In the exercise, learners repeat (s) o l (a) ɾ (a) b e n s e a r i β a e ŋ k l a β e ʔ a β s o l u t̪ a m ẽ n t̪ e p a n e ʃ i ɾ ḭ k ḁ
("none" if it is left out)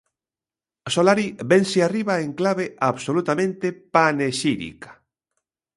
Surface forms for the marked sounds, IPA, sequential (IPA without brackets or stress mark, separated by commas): s, a, i